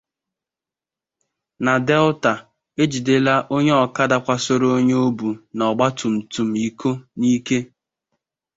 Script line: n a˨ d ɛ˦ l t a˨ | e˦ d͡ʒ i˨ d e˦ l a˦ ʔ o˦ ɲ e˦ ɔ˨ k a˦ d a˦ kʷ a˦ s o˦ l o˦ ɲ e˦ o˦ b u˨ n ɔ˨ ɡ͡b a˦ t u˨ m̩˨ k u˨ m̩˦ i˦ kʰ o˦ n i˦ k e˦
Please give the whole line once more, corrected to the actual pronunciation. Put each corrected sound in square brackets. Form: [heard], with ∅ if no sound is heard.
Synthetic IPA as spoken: n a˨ d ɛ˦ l t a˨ | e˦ d͡ʒ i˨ d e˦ l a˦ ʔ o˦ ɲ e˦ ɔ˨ k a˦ d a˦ kʷ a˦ s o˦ [ɾ] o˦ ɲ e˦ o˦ b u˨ n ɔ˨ ɡ͡b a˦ t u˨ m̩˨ [t] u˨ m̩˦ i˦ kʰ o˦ n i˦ k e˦